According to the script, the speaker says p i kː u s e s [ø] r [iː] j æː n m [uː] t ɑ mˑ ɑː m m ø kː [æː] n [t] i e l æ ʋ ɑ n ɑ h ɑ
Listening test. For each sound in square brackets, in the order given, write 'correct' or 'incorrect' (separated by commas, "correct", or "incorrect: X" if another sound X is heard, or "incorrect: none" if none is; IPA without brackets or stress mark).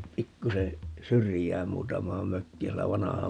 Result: incorrect: y, incorrect: i, correct, incorrect: iː, incorrect: s